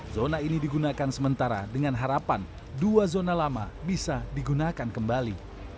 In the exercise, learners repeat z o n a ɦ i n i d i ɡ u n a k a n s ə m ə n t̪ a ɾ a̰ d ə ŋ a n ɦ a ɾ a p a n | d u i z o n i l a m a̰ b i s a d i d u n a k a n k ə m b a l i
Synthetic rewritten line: z o n a i n i d i ɡ u n a k a n s ə m ə n t̪ a ɾ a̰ d ə ŋ a n ɦ a ɾ a p a n | d u a z o n a l a m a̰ b i s a d i ɡ u n a k a n k ə m b a l i